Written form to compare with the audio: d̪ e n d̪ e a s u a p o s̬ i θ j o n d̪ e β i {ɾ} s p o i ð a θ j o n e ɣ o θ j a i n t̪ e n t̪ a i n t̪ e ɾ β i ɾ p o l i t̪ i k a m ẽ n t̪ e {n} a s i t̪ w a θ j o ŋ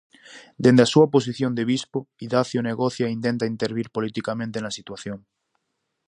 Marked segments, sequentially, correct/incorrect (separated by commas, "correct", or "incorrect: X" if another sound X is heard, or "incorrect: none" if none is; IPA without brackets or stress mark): incorrect: none, correct